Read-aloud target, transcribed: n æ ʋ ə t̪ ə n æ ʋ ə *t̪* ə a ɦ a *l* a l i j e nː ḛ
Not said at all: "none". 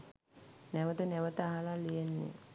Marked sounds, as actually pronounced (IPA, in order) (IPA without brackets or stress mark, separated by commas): t̪, l